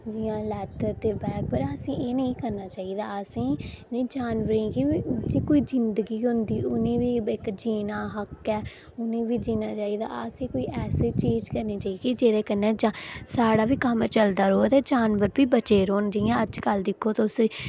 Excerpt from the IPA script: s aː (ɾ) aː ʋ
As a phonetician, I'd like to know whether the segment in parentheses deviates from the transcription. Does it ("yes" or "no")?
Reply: yes